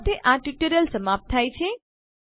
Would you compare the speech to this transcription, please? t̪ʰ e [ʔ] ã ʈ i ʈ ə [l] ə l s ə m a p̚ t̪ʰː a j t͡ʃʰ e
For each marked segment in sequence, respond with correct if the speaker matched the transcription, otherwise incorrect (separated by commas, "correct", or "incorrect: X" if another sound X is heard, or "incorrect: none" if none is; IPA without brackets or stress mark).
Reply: correct, incorrect: ɾ